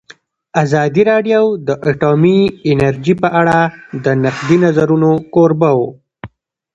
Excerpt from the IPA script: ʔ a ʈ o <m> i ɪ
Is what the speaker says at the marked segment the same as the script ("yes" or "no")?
yes